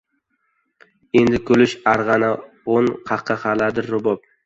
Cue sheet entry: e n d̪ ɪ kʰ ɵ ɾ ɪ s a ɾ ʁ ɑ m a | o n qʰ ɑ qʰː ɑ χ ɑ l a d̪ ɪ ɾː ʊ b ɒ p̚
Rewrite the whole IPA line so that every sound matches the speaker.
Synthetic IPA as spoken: e n d̪ ɪ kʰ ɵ l ɪ ʃ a ɾ ʁ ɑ n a | o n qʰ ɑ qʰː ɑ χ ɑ l a d̪ ɪ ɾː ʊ b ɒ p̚

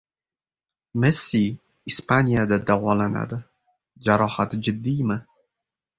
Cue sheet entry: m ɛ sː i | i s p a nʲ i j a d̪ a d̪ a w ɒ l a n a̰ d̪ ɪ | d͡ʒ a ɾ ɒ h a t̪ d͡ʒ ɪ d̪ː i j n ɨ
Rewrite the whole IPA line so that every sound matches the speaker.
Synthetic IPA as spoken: m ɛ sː i | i s p a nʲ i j a d̪ a d̪ a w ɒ l a n a̰ d̪ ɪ | d͡ʒ a ɾ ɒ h a t̪ d͡ʒ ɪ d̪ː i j m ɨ

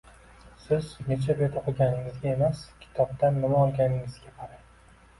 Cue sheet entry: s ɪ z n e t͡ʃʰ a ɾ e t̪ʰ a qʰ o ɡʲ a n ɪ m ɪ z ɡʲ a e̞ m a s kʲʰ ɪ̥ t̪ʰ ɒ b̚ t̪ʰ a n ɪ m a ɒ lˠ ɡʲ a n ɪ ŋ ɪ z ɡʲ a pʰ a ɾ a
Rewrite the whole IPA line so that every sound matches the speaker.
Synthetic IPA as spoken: s ɪ z n e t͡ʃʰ a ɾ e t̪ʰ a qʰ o ɡʲ a n ɪ ŋ ɪ z ɡʲ a e̞ m a s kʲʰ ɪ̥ t̪ʰ ɒ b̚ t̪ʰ a nː ɪ m a ɒ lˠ ɡʲ a n ɪ ŋ ɪ z ɡʲ a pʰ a ɾ a

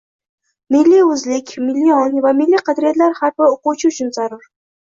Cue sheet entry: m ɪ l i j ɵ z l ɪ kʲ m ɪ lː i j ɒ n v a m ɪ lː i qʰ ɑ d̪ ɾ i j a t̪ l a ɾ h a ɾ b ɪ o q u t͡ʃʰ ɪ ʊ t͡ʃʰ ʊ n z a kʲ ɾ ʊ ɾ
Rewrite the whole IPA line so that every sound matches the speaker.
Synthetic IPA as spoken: m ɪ lː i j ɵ z l ɪ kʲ m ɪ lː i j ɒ n v a m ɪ lː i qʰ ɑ d̪ ɾ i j a t̪ l a ɾ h a ɾ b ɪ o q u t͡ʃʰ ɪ ʊ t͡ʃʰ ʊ n z a ɾ ʊ ɾ

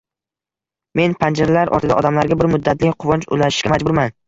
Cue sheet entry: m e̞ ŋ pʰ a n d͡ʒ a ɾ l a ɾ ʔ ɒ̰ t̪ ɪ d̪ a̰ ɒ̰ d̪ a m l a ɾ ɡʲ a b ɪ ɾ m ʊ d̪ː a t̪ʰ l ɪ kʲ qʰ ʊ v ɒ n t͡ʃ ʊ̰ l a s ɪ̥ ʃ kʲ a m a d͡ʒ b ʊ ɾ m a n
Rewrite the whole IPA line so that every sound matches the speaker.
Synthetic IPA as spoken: m e̞ n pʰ a n d͡ʒ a ɾ l a ɾ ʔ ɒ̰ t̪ ɪ d̪ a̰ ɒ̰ d̪ a m l a ɾ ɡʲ a b ɪ ɾ m ʊ d̪ː a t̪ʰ l ɪ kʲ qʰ ʊ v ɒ n t͡ʃ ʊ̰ l a ʃ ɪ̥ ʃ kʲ a m a d͡ʒ b ʊ ɾ m a n

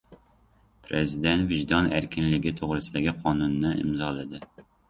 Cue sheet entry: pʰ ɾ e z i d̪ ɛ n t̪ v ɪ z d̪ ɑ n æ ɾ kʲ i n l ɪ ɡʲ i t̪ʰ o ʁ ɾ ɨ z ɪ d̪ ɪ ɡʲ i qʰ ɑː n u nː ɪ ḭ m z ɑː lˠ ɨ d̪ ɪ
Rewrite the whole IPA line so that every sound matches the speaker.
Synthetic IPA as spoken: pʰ ɾ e z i d̪ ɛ n t̪ v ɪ ʒ d̪ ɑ n æ ɾ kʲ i n l ɪ ɡʲ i t̪ʰ o ʁ ɾ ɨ s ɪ d̪ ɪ ɡʲ i qʰ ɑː n u nː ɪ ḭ m z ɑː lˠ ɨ d̪ ɪ

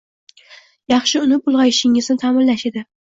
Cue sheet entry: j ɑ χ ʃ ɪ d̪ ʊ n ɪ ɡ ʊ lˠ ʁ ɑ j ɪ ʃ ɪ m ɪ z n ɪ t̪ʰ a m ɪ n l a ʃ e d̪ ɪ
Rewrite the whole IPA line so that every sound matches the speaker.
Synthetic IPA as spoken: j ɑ χ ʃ ɪ ʊ n ɪ b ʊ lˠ ʁ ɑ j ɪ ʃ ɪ ŋ ɪ z n ɪ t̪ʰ a m ɪ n l a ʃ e d̪ ɪ

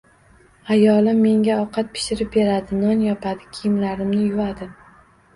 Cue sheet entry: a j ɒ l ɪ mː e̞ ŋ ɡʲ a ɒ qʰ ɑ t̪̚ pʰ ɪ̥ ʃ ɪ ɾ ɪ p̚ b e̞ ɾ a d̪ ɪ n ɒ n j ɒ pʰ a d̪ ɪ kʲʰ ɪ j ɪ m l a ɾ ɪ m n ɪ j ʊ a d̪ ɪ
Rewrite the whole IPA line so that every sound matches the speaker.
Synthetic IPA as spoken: a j ɒ l ɪ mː e̞ ŋ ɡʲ a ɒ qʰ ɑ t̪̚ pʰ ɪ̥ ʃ ɪ ɾ ɪ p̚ b e̞ ɾ a d̪ ɪ n ɒ n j ɒ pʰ a d̪ ɪ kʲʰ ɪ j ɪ m l a ɾ ɪ m n ɪ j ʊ a d̪ ɪ

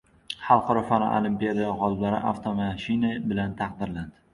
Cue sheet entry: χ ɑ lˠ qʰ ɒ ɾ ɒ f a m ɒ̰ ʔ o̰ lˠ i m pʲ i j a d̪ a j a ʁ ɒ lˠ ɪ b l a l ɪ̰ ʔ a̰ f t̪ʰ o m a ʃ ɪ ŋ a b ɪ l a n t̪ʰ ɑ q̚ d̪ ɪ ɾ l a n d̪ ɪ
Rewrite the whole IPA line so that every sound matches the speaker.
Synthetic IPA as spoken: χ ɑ lˠ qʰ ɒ ɾ ɒ f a n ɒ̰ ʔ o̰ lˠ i m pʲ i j a d̪ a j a ʁ ɒ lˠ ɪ b l a ɾ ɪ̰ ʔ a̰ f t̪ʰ o m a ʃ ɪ n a b ɪ l a n t̪ʰ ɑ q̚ d̪ ɪ ɾ l a n d̪ ɪ

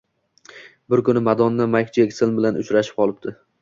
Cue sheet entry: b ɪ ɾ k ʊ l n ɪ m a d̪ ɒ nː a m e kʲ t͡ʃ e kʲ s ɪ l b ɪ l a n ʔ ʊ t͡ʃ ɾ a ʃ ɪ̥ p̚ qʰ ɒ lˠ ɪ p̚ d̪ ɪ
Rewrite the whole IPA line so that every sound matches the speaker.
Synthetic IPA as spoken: b ɪ ɾ k ʊ n ɪ m a d̪ ɒ nː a m a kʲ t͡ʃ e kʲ s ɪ l b ɪ l a n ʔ ʊ t͡ʃ ɾ a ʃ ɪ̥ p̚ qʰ ɒ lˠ ɪ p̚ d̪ ɪ

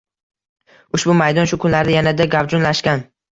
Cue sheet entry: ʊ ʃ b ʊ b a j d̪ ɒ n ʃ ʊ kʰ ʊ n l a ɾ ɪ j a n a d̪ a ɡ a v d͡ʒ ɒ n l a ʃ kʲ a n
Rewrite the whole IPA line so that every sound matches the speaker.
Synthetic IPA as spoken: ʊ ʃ b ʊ m a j d̪ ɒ n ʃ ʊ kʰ ʊ n l a ɾ ɪ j a n a d̪ a ɡ a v d͡ʒ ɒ n l a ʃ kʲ a n

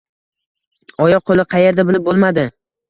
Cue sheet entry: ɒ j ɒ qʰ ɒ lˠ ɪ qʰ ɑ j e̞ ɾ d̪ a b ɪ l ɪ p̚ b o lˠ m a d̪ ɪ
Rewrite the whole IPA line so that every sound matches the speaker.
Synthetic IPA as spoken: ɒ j ɒ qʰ o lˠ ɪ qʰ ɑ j e̞ ɾ d̪ a b ɪ l ɪ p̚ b o lˠ m a d̪ ɪ

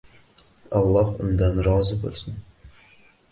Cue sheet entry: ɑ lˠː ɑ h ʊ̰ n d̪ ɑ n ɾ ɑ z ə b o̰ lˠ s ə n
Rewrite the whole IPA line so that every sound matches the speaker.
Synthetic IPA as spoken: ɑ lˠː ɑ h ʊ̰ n d̪ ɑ n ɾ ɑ z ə b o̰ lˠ s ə n

